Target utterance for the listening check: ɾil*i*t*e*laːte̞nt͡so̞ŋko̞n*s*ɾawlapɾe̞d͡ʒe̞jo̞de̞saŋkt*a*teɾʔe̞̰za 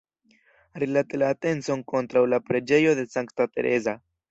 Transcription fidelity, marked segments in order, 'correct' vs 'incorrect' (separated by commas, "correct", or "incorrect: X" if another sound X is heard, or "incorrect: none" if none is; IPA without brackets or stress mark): incorrect: a, correct, incorrect: t, correct